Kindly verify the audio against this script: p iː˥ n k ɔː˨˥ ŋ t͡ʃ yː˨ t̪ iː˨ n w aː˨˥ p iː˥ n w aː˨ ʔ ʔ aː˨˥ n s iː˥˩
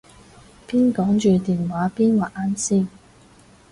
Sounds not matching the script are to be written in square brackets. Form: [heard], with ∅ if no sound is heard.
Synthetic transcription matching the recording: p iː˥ n k ɔː˨˥ ŋ t͡ʃ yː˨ t̪ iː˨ n w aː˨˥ p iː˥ n w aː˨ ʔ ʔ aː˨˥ n s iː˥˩